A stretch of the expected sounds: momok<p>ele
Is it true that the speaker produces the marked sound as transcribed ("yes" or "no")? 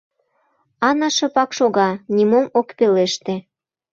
yes